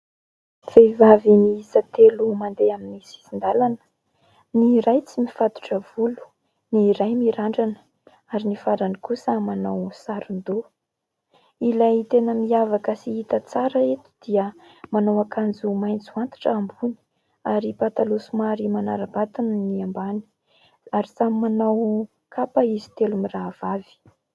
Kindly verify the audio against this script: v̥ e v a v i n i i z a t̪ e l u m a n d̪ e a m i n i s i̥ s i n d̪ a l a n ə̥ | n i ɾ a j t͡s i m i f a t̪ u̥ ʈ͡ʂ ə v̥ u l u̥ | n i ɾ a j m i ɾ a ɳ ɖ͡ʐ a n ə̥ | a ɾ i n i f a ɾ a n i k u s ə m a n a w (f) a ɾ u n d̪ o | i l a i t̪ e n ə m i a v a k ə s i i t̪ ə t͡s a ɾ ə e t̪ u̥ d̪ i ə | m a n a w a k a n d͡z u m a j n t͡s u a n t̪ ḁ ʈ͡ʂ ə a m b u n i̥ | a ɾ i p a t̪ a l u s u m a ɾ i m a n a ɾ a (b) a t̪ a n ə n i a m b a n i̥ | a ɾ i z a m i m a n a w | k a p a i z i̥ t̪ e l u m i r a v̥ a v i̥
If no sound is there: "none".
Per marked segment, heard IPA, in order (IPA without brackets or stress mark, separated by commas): s, b